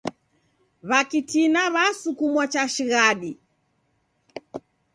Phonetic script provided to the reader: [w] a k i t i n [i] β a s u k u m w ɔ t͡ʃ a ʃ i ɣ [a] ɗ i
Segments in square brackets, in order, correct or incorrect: incorrect, incorrect, correct

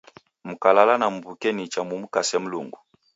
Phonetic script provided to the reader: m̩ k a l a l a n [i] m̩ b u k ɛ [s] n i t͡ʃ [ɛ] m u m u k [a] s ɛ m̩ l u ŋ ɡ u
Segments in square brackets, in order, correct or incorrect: incorrect, incorrect, incorrect, correct

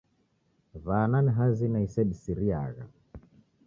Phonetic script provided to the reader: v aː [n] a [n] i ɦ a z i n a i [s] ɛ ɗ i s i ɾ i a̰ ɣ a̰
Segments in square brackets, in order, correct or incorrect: correct, correct, correct

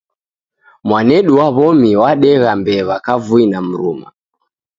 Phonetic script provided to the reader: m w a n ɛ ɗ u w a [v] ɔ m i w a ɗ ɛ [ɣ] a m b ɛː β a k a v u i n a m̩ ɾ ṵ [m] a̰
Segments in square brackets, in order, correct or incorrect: incorrect, correct, correct

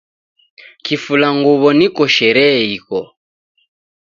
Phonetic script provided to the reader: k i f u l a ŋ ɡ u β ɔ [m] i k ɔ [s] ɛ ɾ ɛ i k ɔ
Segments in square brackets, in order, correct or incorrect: incorrect, incorrect

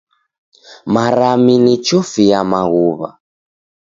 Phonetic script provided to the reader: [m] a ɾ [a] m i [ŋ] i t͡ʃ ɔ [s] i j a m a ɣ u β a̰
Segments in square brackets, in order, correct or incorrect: correct, correct, incorrect, incorrect

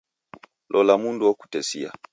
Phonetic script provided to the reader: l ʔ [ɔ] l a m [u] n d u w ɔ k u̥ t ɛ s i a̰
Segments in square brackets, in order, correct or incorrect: correct, correct

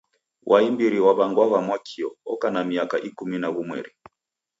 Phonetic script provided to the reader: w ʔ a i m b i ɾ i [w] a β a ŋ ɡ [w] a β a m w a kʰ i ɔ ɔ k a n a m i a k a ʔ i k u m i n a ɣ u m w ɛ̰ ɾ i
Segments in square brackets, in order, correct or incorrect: correct, correct

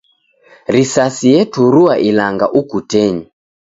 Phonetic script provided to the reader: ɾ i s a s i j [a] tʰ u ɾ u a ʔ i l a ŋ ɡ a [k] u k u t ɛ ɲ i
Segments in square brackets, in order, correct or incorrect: incorrect, incorrect

